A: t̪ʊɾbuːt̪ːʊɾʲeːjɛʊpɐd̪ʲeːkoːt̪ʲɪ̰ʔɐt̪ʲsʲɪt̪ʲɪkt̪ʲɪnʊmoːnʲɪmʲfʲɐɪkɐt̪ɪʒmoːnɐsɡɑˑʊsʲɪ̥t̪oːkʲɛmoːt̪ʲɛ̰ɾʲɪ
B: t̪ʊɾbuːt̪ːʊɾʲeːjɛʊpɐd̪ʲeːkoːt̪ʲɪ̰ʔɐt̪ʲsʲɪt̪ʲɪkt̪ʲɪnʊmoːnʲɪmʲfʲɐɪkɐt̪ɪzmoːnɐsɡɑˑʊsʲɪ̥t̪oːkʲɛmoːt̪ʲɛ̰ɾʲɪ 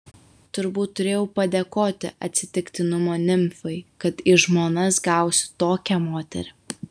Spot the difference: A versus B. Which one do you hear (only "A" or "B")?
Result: A